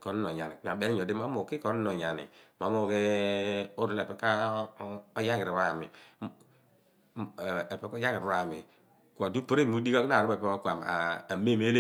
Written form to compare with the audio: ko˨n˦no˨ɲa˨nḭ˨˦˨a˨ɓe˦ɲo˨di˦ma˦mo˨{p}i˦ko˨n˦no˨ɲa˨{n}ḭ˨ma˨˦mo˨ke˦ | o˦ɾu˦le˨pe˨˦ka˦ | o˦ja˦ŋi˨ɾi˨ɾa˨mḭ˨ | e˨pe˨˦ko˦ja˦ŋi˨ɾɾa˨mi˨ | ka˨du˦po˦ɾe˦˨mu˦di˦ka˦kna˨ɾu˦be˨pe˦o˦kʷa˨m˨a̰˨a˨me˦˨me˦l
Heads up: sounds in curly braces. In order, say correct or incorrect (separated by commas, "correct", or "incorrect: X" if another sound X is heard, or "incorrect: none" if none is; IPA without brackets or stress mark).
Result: incorrect: k, correct